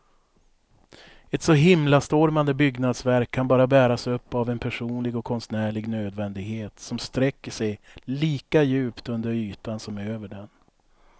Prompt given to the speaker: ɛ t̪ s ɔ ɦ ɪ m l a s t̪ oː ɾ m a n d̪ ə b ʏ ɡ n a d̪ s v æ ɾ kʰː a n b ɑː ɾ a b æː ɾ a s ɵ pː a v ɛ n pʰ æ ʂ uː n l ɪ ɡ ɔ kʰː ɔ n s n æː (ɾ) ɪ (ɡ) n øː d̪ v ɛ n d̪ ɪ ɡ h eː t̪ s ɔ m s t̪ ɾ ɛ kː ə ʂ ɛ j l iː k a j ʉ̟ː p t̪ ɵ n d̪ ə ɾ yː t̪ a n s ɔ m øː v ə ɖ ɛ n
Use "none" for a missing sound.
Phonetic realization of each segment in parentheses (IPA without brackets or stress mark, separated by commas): ɭ, ɡ